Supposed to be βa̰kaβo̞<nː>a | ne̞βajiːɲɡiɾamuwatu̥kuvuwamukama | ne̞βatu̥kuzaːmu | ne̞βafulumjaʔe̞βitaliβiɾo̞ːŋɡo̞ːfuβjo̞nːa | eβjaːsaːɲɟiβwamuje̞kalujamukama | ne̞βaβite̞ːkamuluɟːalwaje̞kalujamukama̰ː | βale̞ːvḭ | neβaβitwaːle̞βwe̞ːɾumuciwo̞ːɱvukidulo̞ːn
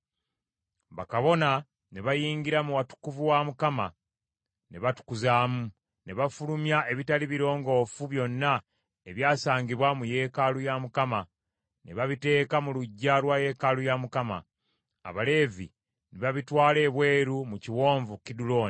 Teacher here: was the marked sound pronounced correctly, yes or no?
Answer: no